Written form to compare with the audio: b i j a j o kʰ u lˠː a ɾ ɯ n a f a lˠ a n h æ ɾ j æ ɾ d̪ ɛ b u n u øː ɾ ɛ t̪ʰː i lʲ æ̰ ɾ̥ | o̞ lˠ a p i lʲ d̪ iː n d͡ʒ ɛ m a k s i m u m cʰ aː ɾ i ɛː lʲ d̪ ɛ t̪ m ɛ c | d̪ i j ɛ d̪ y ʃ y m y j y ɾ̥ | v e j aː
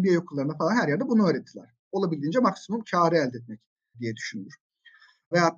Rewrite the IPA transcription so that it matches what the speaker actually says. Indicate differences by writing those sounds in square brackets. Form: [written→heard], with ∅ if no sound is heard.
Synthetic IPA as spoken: b i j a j o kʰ u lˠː a ɾ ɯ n a f a lˠ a n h æ ɾ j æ ɾ d̪ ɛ b u n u øː ɾ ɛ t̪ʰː i lʲ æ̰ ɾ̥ | o̞ lˠ a [p→b] i lʲ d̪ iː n d͡ʒ ɛ m a k s i m u m cʰ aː ɾ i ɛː lʲ d̪ ɛ t̪ m ɛ c | d̪ i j ɛ d̪ y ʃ y [m→n] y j y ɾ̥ | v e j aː